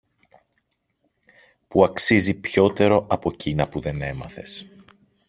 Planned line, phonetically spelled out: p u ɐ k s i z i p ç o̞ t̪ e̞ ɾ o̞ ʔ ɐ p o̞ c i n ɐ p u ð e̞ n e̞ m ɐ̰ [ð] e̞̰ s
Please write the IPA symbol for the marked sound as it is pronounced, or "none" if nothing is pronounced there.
θ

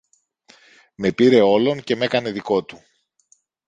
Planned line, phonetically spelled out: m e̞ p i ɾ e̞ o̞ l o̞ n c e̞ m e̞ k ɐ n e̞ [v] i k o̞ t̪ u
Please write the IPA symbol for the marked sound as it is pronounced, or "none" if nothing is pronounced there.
ð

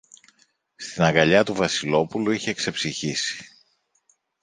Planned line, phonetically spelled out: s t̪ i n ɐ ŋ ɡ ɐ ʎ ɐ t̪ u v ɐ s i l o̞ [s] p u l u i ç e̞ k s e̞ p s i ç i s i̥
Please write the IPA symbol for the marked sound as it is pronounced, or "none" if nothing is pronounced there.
none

